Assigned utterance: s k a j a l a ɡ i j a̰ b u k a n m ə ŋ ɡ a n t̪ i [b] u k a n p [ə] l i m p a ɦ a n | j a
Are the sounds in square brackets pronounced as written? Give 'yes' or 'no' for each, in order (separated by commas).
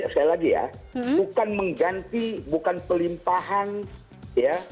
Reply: yes, yes